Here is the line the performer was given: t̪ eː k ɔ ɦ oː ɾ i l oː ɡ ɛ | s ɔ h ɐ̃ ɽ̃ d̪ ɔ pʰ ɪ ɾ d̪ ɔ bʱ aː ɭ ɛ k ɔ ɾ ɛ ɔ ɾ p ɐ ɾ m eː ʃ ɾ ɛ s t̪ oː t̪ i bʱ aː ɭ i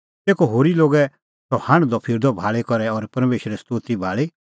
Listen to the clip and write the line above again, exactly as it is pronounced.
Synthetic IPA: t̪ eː k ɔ ɦ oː ɾ i l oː ɡ ɛ | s ɔ h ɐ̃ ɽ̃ d̪ ɔ pʰ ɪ ɾ d̪ ɔ bʱ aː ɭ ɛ k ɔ ɾ ɛ ɔ ɾ p ɐ ɾ m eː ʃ ɾ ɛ s t̪ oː t̪ i bʱ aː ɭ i